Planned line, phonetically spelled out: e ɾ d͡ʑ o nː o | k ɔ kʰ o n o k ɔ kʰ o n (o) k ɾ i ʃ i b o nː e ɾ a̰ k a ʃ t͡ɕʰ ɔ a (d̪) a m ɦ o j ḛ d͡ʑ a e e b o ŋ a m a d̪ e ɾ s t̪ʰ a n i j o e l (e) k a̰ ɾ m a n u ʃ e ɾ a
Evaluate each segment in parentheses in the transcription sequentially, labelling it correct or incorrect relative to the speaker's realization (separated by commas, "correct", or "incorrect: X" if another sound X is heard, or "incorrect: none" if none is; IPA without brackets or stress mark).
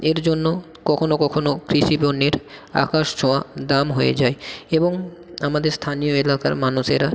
correct, correct, incorrect: a